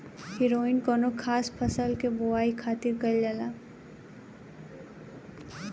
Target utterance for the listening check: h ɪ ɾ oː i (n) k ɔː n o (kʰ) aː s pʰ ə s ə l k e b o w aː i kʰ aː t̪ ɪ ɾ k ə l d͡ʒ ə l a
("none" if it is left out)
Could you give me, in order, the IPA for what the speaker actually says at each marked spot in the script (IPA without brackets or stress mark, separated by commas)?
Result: n, kʰ